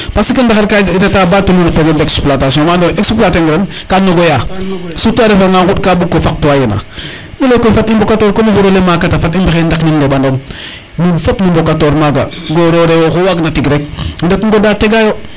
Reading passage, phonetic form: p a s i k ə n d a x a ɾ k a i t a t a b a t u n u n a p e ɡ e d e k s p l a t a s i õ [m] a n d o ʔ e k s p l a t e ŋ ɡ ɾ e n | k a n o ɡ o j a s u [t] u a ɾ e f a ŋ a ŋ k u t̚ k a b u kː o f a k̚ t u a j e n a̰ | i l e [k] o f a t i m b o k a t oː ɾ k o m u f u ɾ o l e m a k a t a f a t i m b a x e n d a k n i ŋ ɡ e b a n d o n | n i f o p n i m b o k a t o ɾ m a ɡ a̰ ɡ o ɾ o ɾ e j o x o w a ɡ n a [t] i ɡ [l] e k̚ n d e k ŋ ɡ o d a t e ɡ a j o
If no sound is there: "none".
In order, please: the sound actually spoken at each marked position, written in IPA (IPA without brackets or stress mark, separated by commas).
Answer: m, t, k, t, ɾ